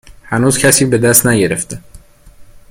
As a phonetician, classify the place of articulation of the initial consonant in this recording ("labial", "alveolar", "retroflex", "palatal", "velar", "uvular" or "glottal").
glottal